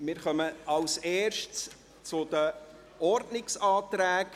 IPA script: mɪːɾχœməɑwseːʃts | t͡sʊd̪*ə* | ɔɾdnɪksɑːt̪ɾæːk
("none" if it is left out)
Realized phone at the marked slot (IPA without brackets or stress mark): ə